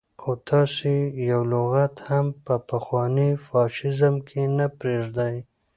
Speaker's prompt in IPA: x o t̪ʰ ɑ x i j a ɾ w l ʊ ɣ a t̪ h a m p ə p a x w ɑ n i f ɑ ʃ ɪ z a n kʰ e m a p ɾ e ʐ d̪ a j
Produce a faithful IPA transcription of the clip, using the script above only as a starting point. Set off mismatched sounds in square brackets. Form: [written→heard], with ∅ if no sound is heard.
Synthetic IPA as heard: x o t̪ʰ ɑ [x→s] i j a [ɾ→∅] w l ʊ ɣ a t̪ h a m p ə p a x w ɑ n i f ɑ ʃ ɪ z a [n→m] kʰ e [m→n] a p ɾ e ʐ d̪ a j

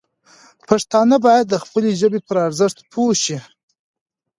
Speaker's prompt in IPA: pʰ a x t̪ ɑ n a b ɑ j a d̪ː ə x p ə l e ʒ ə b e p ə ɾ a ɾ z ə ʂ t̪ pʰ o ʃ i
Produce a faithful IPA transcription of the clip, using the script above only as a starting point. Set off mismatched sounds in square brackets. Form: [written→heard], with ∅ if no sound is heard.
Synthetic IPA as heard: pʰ a [x→ʂ] t̪ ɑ n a b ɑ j a d̪ː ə x p ə l e ʒ ə b e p ə ɾ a ɾ z ə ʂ t̪ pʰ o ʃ i

